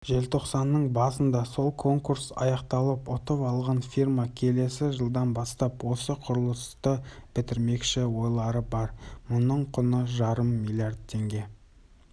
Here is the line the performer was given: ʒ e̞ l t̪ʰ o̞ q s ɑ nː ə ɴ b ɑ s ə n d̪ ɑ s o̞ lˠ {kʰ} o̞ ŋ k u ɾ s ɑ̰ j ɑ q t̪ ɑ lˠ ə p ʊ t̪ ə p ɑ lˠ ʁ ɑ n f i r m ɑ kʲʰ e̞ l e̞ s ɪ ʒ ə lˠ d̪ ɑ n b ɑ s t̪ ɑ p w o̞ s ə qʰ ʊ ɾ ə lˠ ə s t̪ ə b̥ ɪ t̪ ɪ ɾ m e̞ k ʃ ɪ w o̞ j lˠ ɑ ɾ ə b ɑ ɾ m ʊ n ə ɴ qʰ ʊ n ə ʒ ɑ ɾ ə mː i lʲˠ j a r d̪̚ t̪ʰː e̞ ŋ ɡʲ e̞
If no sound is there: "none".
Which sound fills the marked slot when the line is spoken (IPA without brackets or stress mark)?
kʰ